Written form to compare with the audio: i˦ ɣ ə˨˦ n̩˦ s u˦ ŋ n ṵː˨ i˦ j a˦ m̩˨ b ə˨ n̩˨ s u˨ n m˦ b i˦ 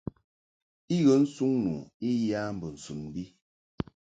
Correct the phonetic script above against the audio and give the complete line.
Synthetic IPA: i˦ ɣ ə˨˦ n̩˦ s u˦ ŋ n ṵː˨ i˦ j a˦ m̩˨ b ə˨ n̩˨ s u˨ n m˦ b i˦